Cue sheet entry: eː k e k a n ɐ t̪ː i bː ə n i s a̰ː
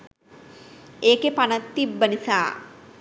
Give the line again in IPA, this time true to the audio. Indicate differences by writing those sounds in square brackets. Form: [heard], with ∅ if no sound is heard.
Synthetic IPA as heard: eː k e [p] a n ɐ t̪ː i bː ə n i s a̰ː